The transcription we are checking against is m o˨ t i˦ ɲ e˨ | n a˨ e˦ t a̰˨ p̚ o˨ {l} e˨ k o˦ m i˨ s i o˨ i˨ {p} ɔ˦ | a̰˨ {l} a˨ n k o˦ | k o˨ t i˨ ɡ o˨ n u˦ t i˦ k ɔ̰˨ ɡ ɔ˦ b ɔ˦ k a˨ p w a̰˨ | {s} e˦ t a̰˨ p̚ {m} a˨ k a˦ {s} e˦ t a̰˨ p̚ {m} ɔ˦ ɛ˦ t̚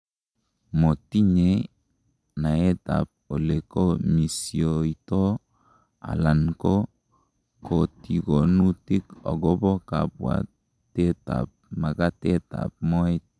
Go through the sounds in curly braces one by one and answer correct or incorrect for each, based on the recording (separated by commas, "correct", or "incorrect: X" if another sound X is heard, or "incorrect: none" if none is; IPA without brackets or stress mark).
correct, incorrect: t, correct, incorrect: t, correct, incorrect: t, correct